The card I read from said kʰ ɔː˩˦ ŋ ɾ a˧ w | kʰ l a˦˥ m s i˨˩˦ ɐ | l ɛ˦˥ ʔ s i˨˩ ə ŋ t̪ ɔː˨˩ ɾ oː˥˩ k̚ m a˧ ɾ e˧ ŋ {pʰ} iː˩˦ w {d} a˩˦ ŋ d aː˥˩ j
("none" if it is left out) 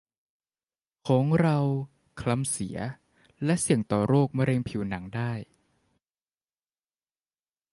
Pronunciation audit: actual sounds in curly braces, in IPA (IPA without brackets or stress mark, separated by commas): pʰ, n